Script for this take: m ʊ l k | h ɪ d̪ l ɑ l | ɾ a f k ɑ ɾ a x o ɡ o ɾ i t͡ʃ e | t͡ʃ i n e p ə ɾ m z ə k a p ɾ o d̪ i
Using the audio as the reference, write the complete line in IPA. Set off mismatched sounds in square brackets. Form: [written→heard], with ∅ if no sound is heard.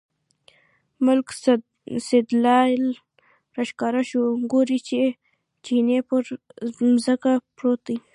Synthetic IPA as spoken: m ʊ l k | [h→s] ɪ d̪ l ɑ l | ɾ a [f→ʃ] k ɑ ɾ a [x→ʃ] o ɡ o ɾ i t͡ʃ e | t͡ʃ i n e p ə ɾ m z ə k a p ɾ o [d̪→t̪] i